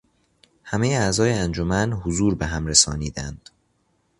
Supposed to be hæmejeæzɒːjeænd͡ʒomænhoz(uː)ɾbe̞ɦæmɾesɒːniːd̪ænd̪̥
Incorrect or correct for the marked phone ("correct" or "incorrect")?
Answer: correct